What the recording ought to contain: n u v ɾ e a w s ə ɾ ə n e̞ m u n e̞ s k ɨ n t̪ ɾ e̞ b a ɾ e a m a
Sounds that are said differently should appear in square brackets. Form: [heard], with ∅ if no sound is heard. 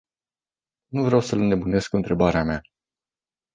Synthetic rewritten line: n u v ɾ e a w s ə [l] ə n e̞ [b] u n e̞ s k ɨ n t̪ ɾ e̞ b a ɾ e a m a